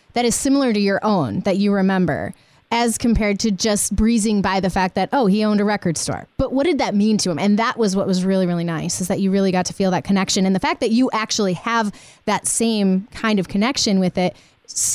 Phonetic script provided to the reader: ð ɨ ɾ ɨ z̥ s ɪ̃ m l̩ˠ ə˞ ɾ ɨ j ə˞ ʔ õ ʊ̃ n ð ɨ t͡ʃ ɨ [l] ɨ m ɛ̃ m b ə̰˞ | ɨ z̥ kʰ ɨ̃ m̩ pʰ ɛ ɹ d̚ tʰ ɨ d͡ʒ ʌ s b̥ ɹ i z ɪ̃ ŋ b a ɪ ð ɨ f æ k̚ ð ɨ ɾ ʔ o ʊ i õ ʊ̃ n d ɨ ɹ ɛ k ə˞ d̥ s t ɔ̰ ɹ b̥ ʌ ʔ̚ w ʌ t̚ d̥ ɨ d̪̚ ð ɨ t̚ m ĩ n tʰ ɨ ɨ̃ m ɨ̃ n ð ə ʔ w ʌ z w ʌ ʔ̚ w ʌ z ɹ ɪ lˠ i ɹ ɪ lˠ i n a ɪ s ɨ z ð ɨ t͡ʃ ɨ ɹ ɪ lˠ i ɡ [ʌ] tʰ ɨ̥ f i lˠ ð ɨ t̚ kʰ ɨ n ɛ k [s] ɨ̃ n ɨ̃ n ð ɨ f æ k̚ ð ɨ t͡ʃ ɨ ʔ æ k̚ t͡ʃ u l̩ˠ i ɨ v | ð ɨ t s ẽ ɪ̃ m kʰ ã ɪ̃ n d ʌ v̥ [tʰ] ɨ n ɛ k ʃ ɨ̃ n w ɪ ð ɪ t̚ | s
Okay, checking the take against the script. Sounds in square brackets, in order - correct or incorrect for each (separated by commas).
incorrect, incorrect, incorrect, incorrect